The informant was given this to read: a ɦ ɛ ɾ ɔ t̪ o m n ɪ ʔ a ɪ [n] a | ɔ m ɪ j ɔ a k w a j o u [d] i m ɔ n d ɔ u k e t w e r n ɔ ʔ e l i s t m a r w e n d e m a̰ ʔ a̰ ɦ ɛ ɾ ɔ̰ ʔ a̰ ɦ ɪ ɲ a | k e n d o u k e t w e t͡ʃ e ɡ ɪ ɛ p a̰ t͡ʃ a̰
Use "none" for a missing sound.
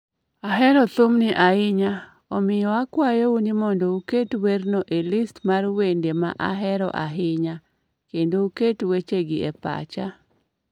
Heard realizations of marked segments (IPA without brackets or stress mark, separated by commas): ɲ, n